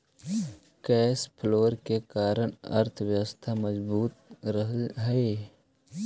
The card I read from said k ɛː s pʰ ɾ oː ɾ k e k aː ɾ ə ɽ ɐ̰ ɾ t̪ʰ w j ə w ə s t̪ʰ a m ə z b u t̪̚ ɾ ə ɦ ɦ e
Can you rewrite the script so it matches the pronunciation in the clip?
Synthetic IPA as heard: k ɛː s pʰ l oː ɾ k e k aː ɾ ə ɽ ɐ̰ ɾ t̪ʰ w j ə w ə s t̪ʰ a m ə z b uː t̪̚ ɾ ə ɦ ɦ e